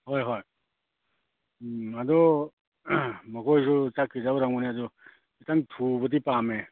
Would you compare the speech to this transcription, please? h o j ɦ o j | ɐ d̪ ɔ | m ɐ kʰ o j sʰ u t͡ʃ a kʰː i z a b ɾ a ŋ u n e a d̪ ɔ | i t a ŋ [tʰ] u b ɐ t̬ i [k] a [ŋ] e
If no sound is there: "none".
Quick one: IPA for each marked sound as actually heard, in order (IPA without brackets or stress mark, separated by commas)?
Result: tʰ, p, m